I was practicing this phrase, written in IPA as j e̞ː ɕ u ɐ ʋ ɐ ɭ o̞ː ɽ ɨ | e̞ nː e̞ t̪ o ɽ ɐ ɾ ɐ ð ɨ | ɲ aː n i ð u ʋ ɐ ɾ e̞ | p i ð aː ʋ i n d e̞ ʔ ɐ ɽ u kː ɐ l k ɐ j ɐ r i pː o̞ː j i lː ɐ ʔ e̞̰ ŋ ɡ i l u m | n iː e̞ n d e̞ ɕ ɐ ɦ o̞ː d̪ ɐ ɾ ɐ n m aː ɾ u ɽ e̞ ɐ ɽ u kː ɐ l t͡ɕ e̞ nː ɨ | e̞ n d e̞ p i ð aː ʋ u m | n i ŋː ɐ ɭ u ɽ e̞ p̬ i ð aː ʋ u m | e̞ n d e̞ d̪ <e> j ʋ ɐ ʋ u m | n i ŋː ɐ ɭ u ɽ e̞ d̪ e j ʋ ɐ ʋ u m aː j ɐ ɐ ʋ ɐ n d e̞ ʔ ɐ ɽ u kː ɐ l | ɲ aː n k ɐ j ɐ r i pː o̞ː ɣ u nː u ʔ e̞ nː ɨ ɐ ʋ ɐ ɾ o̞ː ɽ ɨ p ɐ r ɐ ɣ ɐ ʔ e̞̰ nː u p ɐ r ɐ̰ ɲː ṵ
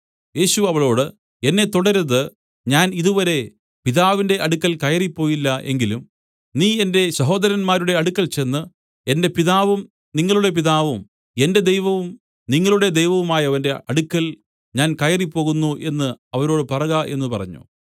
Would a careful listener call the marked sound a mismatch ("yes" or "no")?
no